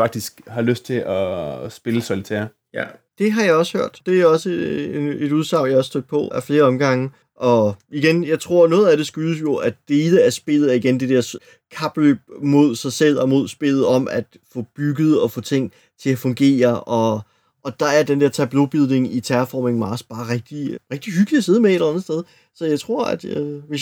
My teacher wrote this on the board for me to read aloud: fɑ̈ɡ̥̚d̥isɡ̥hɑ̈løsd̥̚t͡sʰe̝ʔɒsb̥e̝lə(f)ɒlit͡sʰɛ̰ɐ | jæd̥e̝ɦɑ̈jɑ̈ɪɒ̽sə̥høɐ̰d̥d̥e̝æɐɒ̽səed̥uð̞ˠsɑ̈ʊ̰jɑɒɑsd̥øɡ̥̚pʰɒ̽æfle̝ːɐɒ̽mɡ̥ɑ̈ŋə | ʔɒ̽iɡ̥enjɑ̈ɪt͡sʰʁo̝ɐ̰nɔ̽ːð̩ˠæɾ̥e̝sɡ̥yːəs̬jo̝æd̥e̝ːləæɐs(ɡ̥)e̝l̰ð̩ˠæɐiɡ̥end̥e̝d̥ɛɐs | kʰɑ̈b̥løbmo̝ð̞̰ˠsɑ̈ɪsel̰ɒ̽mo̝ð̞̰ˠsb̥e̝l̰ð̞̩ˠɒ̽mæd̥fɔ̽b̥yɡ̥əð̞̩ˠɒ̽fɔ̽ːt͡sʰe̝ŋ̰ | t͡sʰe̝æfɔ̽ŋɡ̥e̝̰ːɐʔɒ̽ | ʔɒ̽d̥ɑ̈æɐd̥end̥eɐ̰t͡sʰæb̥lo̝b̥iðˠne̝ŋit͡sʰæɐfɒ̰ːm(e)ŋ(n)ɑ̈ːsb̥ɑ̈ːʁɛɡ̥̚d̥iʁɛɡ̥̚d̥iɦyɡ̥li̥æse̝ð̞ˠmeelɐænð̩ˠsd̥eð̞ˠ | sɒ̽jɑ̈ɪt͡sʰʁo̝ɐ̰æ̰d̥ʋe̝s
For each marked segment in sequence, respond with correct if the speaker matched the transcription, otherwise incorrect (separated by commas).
incorrect, incorrect, correct, incorrect